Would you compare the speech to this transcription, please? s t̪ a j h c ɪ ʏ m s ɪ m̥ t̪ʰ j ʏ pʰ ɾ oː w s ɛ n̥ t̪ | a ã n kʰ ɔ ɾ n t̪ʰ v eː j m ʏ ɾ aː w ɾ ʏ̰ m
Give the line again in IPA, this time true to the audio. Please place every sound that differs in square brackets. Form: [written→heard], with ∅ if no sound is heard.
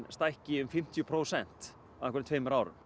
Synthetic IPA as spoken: s t̪ a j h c ɪ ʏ m [s→f] ɪ m̥ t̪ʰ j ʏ pʰ ɾ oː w s ɛ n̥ t̪ | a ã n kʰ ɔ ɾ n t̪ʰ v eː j m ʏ ɾ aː w ɾ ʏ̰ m